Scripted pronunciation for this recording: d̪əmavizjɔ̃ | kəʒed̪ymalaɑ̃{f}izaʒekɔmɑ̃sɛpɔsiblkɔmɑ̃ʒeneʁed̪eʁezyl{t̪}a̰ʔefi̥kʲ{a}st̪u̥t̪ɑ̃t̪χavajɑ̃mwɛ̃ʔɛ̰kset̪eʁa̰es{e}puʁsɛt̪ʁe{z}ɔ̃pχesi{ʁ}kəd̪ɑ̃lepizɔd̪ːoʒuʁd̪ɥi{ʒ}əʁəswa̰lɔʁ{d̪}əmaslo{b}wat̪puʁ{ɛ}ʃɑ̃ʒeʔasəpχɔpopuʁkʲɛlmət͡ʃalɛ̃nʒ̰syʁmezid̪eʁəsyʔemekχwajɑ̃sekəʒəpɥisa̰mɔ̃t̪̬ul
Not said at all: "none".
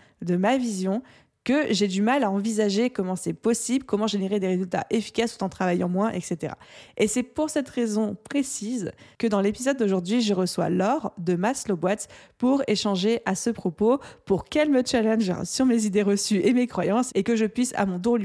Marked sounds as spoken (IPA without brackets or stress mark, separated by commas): v, t̪, a, ɛ, z, z, ʒ, d̪, b, e